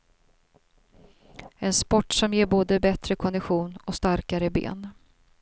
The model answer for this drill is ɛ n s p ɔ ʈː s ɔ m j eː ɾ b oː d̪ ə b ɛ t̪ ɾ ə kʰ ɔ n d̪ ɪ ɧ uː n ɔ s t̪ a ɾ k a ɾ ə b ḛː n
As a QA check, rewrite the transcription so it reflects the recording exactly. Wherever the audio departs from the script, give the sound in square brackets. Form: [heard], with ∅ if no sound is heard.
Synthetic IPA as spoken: ɛ n s p ɔ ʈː s ɔ m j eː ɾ b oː d̪ ə b ɛ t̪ ɾ ə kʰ ɔ n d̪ ɪ ɧ uː n ɔ s t̪ a ɾ k a ɾ ə b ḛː n